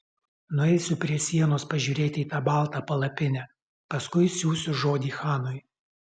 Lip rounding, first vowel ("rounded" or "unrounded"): rounded